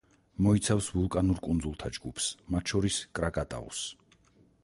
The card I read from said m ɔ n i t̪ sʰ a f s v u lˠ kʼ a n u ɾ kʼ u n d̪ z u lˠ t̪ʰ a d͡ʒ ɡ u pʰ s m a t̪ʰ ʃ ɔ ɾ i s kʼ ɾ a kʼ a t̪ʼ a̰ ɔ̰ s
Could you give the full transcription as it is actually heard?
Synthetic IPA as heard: m ɔ i t̪ sʰ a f s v u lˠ kʼ a n u ɾ kʼ u n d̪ z u lˠ t̪ʰ a d͡ʒ ɡ u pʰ s m a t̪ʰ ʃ ɔ ɾ i s kʼ ɾ a kʼ a t̪ʼ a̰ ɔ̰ s